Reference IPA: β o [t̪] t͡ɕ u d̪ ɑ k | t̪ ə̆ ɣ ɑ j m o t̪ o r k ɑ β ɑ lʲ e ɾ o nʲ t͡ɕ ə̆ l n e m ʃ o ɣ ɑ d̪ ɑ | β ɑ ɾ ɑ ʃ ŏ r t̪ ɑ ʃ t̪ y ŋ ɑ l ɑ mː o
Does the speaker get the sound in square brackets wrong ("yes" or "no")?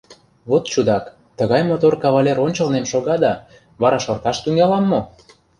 no